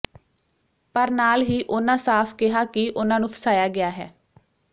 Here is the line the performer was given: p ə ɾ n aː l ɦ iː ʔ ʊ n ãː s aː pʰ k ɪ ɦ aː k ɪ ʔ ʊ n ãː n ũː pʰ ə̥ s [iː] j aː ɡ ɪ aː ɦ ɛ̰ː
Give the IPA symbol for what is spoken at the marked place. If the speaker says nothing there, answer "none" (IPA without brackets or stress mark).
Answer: aː